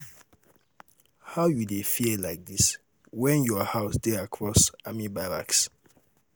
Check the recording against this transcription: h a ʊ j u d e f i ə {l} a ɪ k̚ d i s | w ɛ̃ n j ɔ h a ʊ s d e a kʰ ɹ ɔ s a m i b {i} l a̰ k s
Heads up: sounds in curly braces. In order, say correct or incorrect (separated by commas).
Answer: correct, incorrect